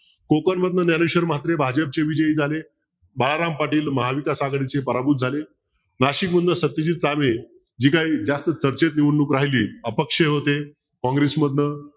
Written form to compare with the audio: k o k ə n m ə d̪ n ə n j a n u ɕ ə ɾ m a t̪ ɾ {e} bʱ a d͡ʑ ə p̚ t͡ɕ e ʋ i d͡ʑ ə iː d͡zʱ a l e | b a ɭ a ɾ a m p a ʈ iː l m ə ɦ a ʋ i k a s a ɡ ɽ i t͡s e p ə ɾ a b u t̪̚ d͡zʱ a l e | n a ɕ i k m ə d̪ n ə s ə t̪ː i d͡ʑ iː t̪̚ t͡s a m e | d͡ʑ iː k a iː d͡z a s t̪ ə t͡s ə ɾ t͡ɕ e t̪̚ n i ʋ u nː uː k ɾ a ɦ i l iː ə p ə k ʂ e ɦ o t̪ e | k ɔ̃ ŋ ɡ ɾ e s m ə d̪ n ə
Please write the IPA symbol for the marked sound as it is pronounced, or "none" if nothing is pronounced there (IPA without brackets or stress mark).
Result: e